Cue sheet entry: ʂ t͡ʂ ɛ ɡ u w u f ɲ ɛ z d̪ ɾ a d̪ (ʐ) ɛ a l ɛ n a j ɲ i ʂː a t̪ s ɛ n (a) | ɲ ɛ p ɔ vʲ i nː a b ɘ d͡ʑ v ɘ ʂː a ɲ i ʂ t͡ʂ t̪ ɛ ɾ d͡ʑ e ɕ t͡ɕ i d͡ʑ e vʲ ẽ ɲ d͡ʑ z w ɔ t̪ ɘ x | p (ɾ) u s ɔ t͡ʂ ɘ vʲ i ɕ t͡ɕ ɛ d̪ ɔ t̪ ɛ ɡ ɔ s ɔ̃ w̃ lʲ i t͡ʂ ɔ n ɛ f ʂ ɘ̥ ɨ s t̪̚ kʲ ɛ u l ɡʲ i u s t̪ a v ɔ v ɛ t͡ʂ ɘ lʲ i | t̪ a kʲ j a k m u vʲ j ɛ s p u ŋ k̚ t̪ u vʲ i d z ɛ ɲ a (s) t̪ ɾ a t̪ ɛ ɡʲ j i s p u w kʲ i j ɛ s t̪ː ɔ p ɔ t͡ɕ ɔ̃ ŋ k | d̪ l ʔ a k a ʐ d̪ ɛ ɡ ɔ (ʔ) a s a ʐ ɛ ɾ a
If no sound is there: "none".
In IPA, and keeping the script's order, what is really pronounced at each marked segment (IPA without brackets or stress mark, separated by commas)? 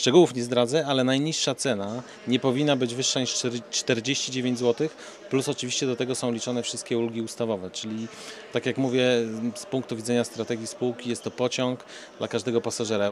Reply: z, a, l, s, p